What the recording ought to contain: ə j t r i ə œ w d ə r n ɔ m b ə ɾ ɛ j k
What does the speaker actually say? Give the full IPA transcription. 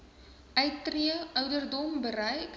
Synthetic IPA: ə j t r i ə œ w d ə r d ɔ m b ə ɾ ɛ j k

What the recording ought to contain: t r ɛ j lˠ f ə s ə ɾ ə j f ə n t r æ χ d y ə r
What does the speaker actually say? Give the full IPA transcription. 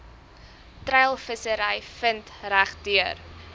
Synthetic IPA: t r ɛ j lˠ f ə s ə ɾ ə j f ə n t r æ χ d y ə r

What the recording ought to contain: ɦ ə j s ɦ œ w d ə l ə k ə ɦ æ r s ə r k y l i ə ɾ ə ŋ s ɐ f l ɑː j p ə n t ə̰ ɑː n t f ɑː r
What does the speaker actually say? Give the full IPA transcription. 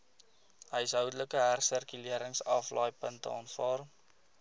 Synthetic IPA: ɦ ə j s ɦ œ w d ə l ə k ə ɦ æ r s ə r k y l i ə ɾ ə ŋ s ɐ f l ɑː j p ə n t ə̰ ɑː n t f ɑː r

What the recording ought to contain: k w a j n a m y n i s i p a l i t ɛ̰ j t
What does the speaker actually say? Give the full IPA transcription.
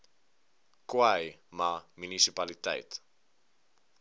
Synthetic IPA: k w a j m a m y n i s i p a l i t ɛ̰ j t

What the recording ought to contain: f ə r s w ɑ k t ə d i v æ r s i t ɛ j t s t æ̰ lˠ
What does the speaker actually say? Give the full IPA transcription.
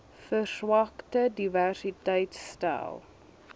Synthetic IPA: f ə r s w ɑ k t ə d i v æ r s i t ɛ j t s t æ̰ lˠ

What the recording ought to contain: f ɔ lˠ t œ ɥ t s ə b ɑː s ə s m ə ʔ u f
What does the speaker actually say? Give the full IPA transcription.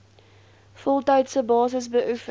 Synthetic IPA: f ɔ lˠ t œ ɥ t s ə b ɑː s ə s b ə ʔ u f

